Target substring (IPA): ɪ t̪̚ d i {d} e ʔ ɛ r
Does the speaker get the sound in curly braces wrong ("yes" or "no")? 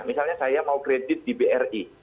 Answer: yes